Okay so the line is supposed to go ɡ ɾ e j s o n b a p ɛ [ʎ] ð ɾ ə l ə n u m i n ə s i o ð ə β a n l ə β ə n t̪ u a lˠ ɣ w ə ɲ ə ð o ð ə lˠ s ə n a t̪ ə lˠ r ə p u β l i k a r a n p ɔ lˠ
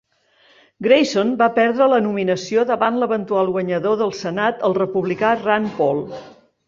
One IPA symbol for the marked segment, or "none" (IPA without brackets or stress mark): ɾ